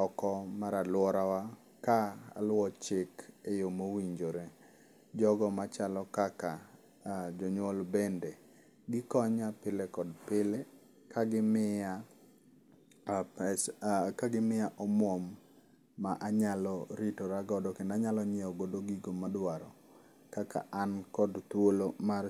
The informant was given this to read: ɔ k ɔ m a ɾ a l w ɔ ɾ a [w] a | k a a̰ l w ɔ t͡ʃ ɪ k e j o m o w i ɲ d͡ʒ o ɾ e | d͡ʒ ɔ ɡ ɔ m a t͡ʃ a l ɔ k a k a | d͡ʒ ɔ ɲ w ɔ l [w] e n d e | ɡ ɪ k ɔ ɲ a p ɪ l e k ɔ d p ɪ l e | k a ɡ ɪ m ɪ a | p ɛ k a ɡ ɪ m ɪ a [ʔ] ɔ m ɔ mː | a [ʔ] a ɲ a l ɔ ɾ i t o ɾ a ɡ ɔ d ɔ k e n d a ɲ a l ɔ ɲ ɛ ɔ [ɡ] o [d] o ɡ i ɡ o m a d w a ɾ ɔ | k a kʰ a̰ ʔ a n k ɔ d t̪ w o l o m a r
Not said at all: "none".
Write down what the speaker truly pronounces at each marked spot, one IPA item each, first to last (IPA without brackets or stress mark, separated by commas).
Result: w, b, ʔ, ʔ, ɡ, d